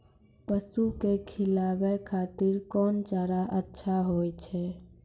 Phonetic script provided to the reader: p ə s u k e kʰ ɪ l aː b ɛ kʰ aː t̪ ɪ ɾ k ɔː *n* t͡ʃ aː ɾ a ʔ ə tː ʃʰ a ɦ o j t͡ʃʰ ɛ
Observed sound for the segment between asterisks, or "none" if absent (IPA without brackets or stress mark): n